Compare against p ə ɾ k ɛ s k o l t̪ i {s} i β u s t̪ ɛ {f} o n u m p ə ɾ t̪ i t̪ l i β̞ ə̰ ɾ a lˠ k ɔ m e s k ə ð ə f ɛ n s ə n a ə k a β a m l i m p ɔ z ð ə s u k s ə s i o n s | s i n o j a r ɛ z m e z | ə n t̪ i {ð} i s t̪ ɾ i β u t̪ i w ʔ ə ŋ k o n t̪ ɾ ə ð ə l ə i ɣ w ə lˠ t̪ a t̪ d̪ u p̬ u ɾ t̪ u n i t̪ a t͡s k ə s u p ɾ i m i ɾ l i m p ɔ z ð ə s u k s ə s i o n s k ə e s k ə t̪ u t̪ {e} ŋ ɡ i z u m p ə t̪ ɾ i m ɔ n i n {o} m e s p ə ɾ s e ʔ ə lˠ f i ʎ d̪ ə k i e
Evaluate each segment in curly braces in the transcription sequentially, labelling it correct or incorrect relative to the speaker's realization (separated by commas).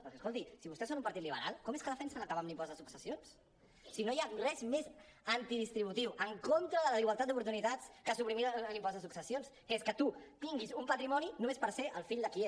correct, incorrect, correct, incorrect, incorrect